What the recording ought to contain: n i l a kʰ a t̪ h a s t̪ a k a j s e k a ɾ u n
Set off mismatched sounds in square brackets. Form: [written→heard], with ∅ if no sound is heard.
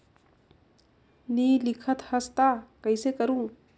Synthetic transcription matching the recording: n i l [a→i] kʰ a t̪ h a s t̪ a k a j s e k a ɾ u [n→ŋ]